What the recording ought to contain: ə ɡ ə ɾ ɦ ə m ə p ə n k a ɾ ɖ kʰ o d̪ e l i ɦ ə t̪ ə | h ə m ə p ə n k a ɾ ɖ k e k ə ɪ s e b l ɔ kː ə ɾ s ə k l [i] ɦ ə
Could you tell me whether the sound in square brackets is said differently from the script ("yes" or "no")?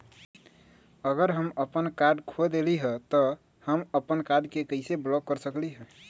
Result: no